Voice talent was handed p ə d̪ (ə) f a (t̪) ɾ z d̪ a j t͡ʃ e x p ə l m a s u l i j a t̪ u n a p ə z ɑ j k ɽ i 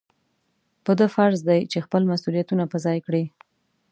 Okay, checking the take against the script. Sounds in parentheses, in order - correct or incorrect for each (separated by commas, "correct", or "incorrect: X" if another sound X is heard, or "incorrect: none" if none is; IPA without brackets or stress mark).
correct, incorrect: none